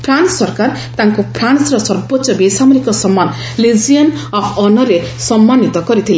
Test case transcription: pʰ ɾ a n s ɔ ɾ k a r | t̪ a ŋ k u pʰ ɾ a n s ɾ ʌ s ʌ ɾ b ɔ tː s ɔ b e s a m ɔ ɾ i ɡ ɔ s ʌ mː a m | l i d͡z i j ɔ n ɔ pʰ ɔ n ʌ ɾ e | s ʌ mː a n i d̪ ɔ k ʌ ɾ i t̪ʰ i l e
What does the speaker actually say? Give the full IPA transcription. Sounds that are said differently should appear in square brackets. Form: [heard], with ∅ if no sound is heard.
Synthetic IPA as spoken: pʰ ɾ a n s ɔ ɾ k a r | t̪ a ŋ k [o] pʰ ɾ a n s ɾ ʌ s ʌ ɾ b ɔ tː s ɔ b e s a m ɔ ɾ i [k] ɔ s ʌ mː a [n] | l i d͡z i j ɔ n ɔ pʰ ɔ n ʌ ɾ e | s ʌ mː a n i [t̪] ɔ k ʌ ɾ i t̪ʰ i l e